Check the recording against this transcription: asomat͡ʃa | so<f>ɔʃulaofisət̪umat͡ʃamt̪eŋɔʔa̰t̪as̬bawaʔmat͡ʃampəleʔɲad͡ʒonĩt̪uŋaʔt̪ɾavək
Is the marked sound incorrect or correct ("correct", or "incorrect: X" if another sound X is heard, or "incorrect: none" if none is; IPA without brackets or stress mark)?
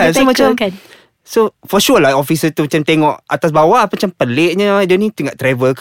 correct